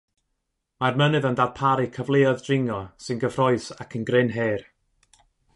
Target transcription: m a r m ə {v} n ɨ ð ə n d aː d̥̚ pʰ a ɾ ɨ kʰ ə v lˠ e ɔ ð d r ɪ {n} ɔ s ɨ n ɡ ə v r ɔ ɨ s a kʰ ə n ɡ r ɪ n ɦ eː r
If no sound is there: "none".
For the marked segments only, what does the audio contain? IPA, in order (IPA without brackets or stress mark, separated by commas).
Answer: none, ŋ